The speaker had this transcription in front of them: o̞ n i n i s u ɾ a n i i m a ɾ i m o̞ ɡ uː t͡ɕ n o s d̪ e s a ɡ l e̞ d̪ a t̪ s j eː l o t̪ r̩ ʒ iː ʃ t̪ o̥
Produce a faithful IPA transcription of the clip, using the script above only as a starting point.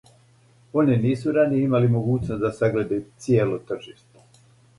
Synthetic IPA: o̞ n i n iː s u ɾ a n i i m a l i m o̞ ɡ uː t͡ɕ n o s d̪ a s a ɡ l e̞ d̪ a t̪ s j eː l o t̪ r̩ ʒ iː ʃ t̪ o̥